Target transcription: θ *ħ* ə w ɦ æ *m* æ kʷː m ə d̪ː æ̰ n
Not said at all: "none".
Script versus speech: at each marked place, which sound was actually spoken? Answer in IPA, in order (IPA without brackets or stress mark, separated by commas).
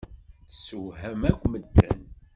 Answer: s, m